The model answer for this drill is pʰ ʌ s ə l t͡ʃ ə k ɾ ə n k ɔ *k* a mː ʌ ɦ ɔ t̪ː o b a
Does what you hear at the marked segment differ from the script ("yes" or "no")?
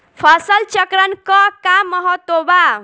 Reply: no